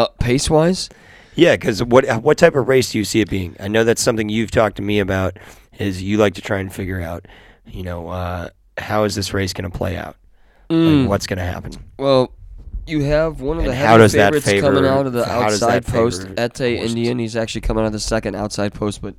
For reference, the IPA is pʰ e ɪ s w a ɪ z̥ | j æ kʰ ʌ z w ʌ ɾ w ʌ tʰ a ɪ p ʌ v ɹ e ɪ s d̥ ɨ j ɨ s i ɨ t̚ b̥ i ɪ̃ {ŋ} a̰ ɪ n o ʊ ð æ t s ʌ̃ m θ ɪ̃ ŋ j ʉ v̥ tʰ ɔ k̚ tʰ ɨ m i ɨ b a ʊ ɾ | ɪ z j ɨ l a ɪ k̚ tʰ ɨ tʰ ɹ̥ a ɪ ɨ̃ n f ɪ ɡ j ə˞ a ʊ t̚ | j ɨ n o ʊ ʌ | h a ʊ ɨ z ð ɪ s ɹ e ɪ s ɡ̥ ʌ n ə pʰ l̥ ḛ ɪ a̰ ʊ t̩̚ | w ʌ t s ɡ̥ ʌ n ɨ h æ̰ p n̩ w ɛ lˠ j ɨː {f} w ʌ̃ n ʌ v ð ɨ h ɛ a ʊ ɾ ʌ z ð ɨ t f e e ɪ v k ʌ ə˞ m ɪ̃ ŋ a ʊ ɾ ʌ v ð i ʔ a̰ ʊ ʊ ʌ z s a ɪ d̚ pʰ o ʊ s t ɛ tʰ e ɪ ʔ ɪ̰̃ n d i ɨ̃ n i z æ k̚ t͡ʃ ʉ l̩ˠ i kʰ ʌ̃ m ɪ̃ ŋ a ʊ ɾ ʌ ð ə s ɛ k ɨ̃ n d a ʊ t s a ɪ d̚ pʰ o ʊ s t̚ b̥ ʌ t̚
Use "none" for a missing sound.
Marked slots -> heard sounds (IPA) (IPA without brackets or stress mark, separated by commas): ŋ, v